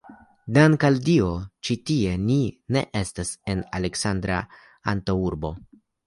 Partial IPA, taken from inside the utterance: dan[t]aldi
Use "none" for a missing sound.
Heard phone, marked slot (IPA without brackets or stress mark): k